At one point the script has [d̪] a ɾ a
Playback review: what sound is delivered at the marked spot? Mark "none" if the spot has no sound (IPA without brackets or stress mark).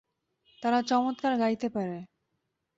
t̪